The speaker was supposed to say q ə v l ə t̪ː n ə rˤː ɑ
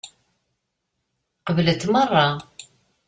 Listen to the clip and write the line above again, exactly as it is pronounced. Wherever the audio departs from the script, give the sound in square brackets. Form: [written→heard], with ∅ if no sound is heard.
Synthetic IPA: q ə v l ə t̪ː [n→m] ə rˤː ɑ